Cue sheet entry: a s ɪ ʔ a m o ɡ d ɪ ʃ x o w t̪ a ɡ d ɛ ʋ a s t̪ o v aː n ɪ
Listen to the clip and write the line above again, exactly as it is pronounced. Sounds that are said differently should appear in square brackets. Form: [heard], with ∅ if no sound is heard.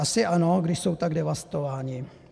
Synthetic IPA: a s ɪ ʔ a [n] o ɡ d ɪ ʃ [s] o w t̪ a ɡ d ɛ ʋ a s t̪ o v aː [ɲ] ɪ